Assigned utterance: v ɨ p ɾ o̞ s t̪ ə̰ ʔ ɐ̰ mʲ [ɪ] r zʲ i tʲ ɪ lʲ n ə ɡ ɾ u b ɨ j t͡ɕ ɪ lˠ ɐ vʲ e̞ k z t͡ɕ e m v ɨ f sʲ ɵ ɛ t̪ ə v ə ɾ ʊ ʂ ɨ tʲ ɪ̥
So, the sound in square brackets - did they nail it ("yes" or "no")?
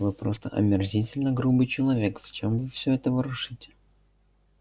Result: yes